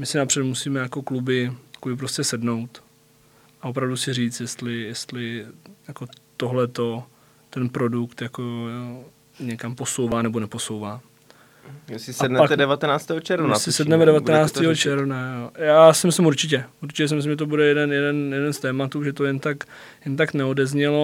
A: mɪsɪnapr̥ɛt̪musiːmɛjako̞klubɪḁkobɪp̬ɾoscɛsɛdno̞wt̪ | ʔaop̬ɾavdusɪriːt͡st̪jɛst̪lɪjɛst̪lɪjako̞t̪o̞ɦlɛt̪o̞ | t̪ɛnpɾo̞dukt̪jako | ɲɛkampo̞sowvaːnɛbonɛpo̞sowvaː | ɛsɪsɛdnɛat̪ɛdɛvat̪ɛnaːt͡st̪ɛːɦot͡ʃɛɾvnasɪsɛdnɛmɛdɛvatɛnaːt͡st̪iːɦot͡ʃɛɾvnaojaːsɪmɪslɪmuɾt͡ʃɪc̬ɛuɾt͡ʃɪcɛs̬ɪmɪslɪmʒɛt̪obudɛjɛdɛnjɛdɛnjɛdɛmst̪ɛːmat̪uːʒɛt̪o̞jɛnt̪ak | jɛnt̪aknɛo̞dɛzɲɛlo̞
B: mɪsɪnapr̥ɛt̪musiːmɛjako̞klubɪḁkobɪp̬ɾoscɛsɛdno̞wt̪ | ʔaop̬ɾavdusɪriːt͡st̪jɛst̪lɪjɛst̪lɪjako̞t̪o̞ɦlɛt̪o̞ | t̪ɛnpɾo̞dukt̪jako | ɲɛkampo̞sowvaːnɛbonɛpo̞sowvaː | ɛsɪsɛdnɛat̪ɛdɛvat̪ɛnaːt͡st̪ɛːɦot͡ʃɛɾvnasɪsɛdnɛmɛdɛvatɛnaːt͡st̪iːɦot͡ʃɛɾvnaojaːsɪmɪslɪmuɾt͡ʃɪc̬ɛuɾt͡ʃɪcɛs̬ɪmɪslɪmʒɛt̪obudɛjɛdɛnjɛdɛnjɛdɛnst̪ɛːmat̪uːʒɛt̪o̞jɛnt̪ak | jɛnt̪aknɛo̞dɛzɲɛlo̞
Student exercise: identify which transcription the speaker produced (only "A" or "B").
B